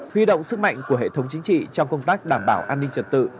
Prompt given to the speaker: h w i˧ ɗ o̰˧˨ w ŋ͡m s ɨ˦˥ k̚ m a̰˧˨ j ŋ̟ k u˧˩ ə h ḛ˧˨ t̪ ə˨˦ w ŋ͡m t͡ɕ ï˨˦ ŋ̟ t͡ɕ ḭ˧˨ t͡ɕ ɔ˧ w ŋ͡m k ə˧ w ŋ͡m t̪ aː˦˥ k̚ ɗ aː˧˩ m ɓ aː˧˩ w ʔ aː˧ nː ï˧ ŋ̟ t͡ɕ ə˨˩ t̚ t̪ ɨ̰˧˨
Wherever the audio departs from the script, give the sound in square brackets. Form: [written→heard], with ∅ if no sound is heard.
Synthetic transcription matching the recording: h w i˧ ɗ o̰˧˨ w ŋ͡m s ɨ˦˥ k̚ m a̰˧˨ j ŋ̟ k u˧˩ ə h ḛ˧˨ [t̪→t̪ʰ] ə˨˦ w ŋ͡m t͡ɕ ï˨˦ ŋ̟ t͡ɕ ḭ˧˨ t͡ɕ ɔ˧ w ŋ͡m k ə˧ w ŋ͡m t̪ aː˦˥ k̚ ɗ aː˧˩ m ɓ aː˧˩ w ʔ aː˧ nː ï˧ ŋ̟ t͡ɕ ə˨˩ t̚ t̪ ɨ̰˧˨

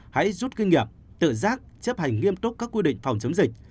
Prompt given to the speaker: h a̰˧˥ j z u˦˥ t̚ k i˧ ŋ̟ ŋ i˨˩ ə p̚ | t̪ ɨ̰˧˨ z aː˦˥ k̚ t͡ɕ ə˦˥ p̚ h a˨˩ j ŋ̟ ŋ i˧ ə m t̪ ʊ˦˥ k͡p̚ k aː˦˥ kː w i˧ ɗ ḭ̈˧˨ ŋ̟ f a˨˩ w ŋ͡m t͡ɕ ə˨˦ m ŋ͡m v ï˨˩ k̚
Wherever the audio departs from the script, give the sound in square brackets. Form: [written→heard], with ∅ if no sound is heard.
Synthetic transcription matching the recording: h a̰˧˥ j z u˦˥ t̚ k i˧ ŋ̟ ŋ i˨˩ ə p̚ | t̪ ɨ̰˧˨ z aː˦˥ k̚ t͡ɕ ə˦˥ p̚ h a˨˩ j ŋ̟ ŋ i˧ ə m t̪ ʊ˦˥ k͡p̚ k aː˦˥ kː w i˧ ɗ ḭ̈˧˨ ŋ̟ f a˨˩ w ŋ͡m t͡ɕ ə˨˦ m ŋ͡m [v→z] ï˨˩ k̚

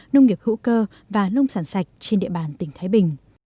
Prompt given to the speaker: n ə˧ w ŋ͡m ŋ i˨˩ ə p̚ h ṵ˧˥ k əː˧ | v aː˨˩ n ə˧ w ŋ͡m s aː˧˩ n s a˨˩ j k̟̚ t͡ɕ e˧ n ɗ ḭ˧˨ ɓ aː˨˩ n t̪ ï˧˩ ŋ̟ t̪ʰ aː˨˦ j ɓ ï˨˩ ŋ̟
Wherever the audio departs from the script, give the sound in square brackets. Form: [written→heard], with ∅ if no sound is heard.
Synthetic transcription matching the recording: n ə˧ w ŋ͡m ŋ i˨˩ ə p̚ h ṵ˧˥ k əː˧ | v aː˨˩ n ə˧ w ŋ͡m s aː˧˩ n s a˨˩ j k̟̚ t͡ɕ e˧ n ɗ ḭ˧˨ ɓ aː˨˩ n t̪ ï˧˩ ŋ̟ t̪ʰ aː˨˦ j ɓ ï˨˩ ŋ̟

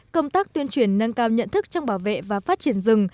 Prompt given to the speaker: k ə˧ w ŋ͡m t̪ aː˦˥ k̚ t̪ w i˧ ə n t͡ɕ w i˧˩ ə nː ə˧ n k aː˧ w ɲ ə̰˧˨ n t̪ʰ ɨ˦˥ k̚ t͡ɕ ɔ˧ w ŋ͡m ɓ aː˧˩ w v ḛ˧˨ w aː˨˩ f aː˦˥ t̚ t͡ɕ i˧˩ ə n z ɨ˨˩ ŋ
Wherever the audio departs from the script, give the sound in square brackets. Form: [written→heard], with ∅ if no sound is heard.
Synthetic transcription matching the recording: k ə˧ w ŋ͡m t̪ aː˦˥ k̚ t̪ w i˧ ə n t͡ɕ w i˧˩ ə nː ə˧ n k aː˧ w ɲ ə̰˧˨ n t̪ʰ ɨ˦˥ k̚ t͡ɕ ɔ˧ w ŋ͡m ɓ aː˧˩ w v ḛ˧˨ [w→v] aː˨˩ f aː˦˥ t̚ t͡ɕ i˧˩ ə n z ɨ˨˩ ŋ

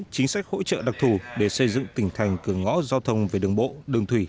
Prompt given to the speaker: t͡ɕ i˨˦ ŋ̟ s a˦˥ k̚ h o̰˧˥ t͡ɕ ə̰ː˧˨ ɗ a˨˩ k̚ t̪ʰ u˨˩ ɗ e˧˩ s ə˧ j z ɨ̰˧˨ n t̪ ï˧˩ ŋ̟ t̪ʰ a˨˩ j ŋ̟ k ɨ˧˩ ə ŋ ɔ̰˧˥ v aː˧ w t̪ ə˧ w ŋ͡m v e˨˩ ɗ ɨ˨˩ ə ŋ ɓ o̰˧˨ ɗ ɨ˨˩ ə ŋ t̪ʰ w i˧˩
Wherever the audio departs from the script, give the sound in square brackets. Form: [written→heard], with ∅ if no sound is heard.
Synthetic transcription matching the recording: t͡ɕ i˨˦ ŋ̟ s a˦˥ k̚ h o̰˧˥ t͡ɕ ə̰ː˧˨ ɗ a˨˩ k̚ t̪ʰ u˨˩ ɗ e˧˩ s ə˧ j z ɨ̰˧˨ [n→ŋ] t̪ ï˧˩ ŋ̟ t̪ʰ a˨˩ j ŋ̟ k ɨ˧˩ ə ŋ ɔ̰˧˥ [v→z] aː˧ w [t̪→t̪ʰ] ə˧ w ŋ͡m v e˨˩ ɗ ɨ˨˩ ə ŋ ɓ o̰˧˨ ɗ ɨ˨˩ ə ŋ t̪ʰ w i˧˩

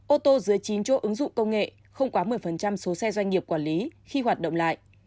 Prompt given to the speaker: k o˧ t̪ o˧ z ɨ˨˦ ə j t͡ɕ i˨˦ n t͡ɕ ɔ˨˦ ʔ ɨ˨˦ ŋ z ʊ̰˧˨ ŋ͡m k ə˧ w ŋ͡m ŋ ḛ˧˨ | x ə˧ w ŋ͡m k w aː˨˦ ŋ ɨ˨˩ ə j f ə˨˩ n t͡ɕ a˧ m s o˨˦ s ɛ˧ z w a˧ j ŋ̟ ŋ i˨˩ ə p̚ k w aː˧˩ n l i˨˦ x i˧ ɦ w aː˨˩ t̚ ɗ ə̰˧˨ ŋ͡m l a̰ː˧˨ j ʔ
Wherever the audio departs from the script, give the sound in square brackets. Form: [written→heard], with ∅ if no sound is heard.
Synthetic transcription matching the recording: [k→ʔ] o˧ t̪ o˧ z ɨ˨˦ ə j t͡ɕ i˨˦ n t͡ɕ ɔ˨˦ ʔ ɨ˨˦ ŋ z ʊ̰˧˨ ŋ͡m k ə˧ w ŋ͡m ŋ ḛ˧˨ | x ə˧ w ŋ͡m k w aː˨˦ [ŋ→m] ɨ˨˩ ə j f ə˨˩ n t͡ɕ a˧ m s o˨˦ s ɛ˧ z w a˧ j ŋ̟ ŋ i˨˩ ə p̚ k w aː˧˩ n l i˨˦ x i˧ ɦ w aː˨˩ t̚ ɗ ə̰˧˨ ŋ͡m l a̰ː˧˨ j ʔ

